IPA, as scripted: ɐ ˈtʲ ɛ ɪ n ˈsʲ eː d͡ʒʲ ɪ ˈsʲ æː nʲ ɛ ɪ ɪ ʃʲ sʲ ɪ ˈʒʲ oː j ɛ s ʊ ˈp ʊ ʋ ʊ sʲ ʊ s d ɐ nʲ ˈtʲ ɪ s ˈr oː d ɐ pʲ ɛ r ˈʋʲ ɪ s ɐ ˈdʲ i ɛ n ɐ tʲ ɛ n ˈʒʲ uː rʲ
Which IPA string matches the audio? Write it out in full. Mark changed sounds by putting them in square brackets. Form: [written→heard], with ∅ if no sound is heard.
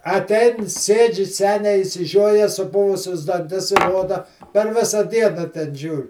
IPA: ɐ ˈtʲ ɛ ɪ n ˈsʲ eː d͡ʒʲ ɪ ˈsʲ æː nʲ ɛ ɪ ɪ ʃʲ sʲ ɪ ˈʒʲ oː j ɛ s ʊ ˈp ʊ ʋ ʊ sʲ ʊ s d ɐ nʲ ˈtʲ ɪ s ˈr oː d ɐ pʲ ɛ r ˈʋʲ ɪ s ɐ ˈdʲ i ɛ n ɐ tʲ ɛ n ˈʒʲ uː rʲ